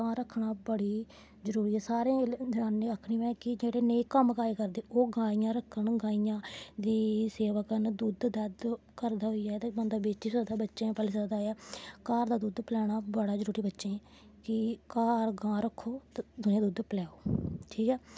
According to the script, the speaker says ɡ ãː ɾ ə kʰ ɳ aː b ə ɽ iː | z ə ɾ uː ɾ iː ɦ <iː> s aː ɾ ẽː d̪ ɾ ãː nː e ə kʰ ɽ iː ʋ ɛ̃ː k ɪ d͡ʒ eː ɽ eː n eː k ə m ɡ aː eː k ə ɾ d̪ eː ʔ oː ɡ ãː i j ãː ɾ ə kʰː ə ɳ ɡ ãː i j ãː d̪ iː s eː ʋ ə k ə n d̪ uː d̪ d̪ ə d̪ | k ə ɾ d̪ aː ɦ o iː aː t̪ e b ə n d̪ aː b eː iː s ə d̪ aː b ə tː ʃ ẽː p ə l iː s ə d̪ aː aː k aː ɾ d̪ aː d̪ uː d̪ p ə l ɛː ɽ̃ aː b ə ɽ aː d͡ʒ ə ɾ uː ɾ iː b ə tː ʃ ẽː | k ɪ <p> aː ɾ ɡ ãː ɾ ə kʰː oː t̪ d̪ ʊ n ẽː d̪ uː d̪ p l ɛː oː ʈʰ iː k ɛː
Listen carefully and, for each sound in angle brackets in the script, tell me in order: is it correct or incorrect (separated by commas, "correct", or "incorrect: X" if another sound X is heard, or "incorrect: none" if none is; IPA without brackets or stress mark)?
incorrect: ɛː, incorrect: k